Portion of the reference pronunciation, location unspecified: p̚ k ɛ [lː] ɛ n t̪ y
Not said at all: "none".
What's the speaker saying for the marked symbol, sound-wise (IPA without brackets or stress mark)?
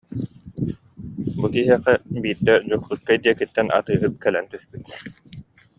l